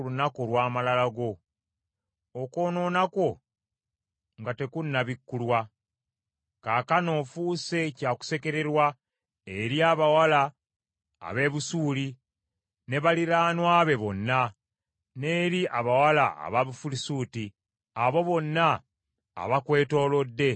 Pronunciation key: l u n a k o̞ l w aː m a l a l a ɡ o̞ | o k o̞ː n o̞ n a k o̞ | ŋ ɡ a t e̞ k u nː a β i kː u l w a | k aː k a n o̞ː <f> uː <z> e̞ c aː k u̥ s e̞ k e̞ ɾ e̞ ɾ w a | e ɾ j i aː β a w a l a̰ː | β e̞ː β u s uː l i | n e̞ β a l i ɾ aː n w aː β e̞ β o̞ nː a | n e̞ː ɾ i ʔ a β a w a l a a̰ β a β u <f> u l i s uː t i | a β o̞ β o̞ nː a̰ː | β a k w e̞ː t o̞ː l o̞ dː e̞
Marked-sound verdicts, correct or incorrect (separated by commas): correct, incorrect, correct